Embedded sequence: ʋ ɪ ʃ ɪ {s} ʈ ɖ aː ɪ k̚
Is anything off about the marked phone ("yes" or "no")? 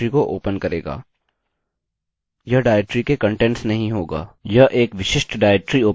yes